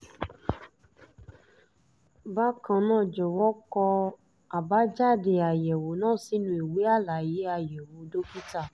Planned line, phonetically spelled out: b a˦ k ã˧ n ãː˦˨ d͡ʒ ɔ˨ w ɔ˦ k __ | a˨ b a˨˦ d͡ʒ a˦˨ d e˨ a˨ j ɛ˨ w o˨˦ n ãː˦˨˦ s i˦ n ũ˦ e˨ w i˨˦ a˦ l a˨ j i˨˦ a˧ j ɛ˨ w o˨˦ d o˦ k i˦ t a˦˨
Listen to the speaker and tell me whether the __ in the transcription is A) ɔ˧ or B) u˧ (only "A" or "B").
A